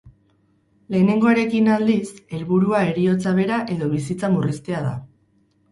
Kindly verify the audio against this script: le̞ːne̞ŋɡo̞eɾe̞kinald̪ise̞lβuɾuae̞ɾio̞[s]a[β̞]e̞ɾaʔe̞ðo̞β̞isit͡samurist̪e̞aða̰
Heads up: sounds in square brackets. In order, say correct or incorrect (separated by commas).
incorrect, correct